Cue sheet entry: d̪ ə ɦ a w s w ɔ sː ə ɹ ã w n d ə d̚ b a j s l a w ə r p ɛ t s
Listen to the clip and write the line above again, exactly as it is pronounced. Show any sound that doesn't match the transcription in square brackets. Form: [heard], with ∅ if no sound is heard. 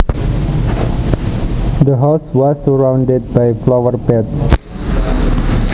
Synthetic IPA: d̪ ə ɦ a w s w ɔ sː ə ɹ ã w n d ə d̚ b a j [f] l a w ə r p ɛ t s